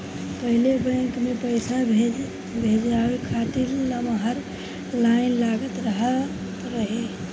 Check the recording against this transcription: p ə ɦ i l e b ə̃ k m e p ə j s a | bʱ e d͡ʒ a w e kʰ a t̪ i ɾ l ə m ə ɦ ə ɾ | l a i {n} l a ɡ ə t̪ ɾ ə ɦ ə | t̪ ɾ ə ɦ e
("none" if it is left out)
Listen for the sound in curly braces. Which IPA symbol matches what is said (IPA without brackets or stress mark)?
n